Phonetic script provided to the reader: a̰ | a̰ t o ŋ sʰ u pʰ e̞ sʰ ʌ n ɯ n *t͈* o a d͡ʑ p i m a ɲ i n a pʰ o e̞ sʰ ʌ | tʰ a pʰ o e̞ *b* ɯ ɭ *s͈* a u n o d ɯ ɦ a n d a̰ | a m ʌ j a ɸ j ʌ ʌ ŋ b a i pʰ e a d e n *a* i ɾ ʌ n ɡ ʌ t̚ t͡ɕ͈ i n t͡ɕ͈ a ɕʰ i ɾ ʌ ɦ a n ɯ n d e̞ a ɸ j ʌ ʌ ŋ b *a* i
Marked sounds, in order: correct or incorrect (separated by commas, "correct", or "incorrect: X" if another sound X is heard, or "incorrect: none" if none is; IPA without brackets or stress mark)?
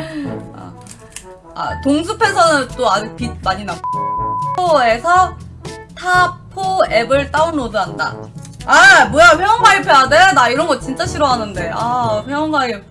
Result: correct, correct, incorrect: t͈, correct, correct